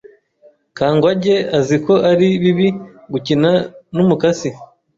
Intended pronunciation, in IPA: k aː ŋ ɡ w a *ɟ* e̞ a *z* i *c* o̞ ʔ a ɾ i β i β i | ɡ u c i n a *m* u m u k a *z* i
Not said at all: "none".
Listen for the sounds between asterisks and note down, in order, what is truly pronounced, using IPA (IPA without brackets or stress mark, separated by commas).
ɟ, z, k, n, s